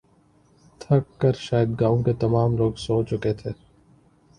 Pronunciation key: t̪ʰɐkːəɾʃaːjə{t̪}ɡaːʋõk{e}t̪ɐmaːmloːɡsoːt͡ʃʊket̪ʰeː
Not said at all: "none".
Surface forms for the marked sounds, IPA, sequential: d̪, e

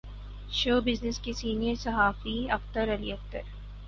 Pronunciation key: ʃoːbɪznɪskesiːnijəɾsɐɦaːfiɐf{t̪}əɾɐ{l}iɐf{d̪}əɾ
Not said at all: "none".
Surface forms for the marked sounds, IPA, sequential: t̪, l, t̪

